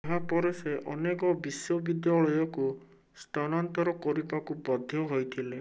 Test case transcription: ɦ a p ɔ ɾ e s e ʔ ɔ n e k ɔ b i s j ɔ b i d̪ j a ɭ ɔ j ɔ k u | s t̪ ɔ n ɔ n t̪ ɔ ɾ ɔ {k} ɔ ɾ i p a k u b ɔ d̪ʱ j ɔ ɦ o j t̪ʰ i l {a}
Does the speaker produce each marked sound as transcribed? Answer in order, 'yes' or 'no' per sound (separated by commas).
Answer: yes, no